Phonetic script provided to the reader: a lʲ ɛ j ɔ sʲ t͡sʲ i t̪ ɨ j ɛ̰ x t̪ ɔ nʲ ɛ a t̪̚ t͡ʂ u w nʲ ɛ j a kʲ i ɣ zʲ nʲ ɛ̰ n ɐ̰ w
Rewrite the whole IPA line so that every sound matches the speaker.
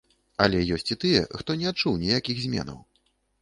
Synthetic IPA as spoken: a lʲ ɛ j ɔ sʲ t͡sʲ i t̪ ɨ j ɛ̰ x t̪ ɔ nʲ ɛ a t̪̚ t͡ʂ u w nʲ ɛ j a kʲ i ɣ zʲ mʲ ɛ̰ n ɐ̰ w